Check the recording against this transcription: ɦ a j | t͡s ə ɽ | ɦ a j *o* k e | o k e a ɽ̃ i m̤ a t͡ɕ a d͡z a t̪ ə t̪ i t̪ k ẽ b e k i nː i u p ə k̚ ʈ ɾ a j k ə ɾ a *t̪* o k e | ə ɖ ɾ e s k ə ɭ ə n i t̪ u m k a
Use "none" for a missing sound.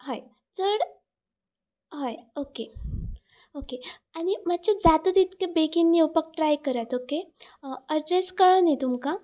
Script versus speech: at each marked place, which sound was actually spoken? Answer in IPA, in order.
o, t̪

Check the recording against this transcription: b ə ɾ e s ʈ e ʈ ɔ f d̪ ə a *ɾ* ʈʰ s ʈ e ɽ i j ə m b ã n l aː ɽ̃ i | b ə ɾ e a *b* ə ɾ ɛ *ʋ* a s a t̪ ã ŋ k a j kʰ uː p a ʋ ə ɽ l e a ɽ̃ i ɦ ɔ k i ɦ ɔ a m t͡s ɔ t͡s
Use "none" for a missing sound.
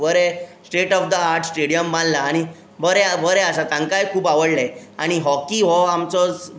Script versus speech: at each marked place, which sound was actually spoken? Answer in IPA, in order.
ɾ, b, none

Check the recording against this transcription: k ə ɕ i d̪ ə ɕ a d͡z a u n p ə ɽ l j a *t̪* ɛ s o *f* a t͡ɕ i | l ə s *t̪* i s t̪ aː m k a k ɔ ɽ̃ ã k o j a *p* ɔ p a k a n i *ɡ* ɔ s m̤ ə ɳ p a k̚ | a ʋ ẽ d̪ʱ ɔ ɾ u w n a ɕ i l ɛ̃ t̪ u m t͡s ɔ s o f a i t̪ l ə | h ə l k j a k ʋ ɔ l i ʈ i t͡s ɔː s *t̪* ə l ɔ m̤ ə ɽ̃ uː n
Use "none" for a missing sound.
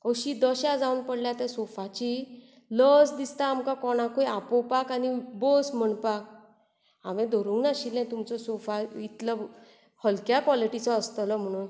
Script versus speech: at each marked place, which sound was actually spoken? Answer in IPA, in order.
t̪, f, d̪, p, b, t̪

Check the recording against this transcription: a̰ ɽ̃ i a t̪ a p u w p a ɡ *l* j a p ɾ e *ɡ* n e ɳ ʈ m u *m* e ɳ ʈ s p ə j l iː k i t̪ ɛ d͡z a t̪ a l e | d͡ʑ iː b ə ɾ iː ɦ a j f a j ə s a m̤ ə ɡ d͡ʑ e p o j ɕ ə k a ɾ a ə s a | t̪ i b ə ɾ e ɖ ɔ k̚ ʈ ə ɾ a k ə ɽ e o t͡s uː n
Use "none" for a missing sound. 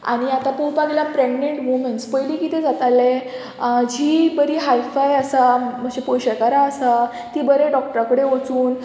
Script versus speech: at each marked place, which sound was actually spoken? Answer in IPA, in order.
l, ɡ, m

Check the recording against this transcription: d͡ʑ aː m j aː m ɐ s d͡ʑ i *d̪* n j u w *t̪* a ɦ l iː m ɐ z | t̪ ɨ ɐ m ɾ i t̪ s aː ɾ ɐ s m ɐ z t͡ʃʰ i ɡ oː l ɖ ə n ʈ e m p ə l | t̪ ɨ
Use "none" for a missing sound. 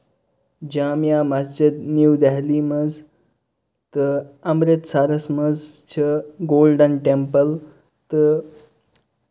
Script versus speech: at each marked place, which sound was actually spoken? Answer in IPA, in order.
d̪, d̪

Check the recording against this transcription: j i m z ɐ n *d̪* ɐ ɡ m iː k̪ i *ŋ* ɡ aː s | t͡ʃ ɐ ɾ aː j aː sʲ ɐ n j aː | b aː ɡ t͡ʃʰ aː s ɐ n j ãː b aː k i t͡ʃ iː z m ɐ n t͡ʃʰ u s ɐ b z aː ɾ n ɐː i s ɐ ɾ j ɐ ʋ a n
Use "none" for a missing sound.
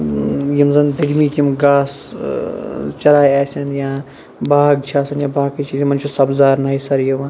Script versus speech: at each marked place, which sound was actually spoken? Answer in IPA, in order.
d̪, m

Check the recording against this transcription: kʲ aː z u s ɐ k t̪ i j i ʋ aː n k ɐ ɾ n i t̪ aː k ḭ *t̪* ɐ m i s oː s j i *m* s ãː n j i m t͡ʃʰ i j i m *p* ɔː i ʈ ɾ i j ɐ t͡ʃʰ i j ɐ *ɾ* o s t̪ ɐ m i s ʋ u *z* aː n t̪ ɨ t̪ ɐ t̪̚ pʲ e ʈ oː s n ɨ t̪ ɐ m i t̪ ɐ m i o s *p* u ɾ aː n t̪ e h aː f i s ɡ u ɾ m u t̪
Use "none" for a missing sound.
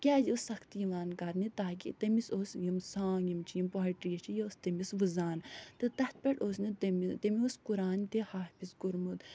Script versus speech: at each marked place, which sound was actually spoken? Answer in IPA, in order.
t̪, m, p, none, z, k

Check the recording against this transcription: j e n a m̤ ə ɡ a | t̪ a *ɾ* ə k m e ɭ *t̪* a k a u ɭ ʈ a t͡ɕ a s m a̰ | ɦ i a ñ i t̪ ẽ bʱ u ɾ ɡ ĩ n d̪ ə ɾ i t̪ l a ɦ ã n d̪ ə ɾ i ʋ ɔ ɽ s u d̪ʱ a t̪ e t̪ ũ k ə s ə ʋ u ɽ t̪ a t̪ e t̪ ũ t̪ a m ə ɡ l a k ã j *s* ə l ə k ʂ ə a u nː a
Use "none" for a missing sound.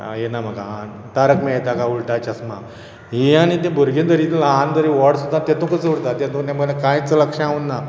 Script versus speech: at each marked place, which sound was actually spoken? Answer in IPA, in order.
ɾ, t̪, t͡s

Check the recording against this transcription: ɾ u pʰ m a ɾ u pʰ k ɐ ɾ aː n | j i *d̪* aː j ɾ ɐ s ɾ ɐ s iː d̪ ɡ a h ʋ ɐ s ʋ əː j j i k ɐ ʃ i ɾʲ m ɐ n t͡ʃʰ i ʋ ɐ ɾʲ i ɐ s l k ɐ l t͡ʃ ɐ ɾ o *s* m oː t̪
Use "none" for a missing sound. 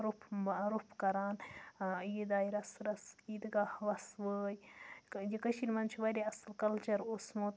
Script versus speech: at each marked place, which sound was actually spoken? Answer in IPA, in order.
d̪, s

